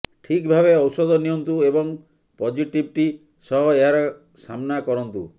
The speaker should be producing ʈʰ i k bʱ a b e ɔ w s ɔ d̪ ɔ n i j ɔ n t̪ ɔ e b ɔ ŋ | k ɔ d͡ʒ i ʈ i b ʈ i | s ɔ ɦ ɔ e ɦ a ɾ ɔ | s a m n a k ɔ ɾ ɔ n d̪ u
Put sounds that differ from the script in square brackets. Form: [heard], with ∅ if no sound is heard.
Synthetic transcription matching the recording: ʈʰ i k bʱ a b e ɔ w s ɔ d̪ ɔ n i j ɔ n t̪ [u] e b ɔ ŋ | [p] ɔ d͡ʒ i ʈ i b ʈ i | s ɔ ɦ ɔ e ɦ a ɾ ɔ | s a m n a k ɔ ɾ ɔ n [t̪] u